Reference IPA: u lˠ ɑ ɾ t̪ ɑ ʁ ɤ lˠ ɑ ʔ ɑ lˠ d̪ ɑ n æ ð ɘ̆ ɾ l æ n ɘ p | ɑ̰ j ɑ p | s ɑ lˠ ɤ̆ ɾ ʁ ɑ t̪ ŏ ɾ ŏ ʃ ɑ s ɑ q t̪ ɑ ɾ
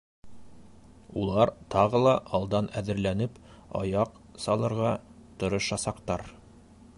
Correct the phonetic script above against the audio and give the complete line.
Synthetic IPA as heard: u lˠ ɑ ɾ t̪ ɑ ʁ ɤ lˠ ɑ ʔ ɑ lˠ d̪ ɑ n æ ð ɘ̆ ɾ l æ n ɘ p | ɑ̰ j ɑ q | s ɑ lˠ ɤ̆ ɾ ʁ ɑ t̪ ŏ ɾ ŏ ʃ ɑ s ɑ q t̪ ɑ ɾ